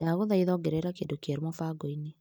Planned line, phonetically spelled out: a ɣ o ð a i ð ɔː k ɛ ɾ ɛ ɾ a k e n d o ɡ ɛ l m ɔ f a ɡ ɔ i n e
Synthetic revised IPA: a ɣ o ð a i ð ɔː ɡ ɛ ɾ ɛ ɾ a k e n d o k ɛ ɾ m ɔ f a ɡ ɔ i n e